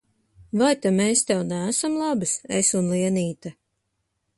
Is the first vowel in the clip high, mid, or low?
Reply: low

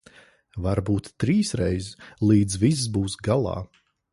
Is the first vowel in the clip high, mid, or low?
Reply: low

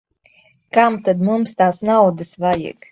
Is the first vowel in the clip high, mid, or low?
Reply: low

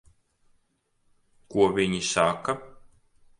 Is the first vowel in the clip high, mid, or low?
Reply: high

